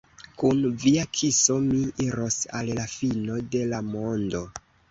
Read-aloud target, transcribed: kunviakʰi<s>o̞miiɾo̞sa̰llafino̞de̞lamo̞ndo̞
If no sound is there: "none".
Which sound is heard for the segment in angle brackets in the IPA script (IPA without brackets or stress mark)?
s